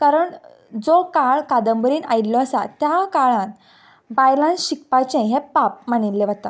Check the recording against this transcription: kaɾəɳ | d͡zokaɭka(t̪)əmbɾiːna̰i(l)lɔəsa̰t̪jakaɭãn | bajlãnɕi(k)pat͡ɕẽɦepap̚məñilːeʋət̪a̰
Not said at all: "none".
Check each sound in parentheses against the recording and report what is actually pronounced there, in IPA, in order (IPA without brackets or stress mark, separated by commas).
d̪, l, k